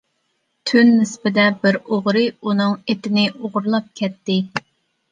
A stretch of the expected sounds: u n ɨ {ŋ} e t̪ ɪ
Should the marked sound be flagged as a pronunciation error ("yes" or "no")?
no